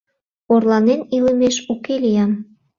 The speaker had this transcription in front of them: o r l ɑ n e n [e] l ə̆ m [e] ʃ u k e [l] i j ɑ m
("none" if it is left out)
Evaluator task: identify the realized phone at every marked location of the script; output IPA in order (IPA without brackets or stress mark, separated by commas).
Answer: i, e, l